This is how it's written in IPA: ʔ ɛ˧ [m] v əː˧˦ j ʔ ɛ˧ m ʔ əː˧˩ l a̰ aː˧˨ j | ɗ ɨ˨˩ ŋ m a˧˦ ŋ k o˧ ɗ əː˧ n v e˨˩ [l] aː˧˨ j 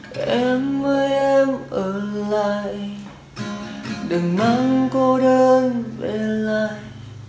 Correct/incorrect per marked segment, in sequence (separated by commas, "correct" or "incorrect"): correct, correct